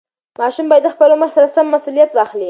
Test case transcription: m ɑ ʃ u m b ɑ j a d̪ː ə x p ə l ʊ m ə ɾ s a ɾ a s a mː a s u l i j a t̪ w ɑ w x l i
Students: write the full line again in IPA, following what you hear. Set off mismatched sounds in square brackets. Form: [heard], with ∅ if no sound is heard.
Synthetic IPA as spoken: m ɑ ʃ u m b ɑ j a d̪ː ə x p ə l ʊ m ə ɾ s a ɾ a s a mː a s u l i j a t̪ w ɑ [∅] x l i

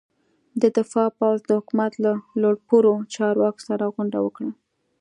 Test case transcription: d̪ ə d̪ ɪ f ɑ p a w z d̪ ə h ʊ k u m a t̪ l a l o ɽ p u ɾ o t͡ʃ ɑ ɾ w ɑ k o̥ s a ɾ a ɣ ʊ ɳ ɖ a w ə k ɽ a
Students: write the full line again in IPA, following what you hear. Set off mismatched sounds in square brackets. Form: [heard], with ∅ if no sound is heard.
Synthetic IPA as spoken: d̪ ə d̪ ɪ f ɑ p a w z d̪ ə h ʊ k u m a t̪ l a l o ɽ p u ɾ o t͡ʃ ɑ ɾ w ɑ k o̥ s a ɾ a ɣ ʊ ɳ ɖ a w ə k ɽ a

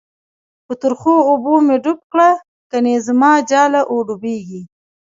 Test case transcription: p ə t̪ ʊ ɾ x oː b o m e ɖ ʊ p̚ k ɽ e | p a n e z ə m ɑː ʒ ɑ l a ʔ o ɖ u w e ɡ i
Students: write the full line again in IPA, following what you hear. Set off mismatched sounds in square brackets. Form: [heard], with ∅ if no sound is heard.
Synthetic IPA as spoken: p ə t̪ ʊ ɾ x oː b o m e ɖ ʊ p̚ k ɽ [a] | [k] a n e z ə m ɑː [d͡ʒ] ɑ l a ʔ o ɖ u [b] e ɡ i

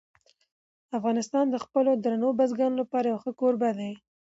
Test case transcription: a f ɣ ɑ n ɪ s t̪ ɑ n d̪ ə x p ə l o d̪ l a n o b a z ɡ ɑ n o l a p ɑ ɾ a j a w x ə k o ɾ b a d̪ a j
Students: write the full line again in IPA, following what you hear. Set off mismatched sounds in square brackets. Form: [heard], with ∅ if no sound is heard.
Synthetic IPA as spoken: a f ɣ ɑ n ɪ s t̪ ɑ n d̪ ə x p ə l o d̪ [ɾ] a n o b a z ɡ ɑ n o l a p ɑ ɾ a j a w x ə k o ɾ b a d̪ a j

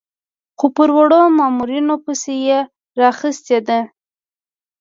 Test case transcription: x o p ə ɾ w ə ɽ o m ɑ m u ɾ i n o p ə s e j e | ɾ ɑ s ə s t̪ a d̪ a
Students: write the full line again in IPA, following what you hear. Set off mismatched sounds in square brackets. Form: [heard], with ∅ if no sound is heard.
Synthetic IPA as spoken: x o p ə ɾ w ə ɽ o m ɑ m u ɾ i n o p ə s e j e | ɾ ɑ [x] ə s t̪ [e] d̪ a

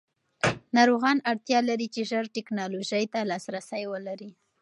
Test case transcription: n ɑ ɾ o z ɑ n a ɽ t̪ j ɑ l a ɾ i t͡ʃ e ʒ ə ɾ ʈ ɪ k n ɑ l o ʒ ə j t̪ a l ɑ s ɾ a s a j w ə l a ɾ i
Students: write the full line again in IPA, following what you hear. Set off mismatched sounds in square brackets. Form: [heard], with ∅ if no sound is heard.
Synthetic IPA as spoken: n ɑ ɾ o [ɣ] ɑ n a ɽ t̪ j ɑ l a ɾ i t͡ʃ e ʒ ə ɾ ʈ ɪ k n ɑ l o ʒ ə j t̪ a l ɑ s ɾ a s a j w ə l a ɾ i

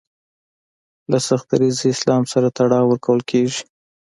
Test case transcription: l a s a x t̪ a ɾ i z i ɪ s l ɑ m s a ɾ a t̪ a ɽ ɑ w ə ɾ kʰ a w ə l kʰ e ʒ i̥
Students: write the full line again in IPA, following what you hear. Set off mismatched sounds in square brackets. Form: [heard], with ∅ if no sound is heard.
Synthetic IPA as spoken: l a s a x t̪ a ɾ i z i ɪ s l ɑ m s a ɾ a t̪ a ɽ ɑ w ə ɾ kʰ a w ə l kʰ e ʒ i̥

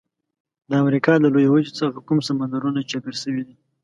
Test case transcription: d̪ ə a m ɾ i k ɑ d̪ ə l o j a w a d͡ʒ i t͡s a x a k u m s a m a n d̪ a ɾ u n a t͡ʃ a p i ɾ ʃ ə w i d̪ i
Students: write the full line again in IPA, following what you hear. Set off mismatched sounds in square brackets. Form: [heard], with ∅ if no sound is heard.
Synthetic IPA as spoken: d̪ ə a m ɾ i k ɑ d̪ ə l o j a w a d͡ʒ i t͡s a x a k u m s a m a n d̪ a ɾ u n a t͡ʃ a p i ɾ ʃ ə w i d̪ i

